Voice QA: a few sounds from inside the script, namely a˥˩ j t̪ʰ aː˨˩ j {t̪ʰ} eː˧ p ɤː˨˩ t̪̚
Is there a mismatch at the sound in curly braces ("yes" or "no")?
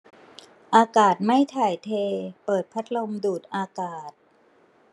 no